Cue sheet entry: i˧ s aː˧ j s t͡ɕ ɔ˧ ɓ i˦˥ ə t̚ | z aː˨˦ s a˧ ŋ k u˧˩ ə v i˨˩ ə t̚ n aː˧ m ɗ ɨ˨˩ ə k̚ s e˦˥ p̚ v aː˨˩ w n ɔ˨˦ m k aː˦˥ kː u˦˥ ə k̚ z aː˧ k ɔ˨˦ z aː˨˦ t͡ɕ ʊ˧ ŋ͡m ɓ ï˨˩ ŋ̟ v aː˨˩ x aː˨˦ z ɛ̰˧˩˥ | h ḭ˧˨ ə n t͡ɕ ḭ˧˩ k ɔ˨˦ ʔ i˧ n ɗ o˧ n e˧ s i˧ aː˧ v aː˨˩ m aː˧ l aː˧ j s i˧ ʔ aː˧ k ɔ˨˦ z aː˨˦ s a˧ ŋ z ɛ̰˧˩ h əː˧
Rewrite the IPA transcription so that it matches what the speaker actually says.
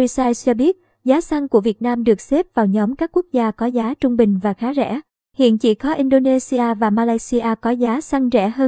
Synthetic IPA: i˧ s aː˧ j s t͡ɕ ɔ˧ ɓ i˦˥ ə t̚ | z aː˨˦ s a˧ ŋ k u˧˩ ə v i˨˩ ə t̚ n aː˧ m ɗ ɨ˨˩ ə k̚ s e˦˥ p̚ v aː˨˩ w ɲ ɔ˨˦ m k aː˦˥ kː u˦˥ ə k̚ z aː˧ k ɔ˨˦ z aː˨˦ t͡ɕ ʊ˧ ŋ͡m ɓ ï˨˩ ŋ̟ v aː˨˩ x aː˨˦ z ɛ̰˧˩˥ | h ḭ˧˨ ə n t͡ɕ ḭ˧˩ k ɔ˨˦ ʔ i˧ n ɗ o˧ n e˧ s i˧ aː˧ v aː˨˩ m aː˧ l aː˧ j s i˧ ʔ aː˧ k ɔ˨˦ z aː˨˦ s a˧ ŋ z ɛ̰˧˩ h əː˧